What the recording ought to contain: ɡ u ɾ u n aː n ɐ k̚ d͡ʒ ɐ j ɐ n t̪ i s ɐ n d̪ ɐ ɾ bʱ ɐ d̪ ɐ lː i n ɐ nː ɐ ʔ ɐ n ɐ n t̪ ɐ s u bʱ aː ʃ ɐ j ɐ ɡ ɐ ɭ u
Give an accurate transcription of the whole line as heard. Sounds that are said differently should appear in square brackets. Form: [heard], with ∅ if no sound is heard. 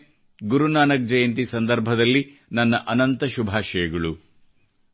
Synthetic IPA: ɡ u ɾ u n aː n ɐ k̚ d͡ʒ ɐ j ɐ n t̪ i s ɐ n d̪ ɐ ɾ bʱ ɐ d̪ ɐ lː i n ɐ nː ɐ ʔ ɐ n ɐ n t̪ ɐ [ʃ] u bʱ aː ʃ ɐ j ɐ ɡ ɐ ɭ u